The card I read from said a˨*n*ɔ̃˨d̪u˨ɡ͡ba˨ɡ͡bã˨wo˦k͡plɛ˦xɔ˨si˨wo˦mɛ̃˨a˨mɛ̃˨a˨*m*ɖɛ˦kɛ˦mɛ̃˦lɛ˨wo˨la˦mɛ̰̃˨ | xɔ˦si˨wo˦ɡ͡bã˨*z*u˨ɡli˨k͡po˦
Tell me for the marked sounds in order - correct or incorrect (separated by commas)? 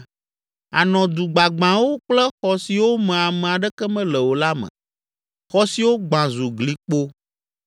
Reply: correct, incorrect, correct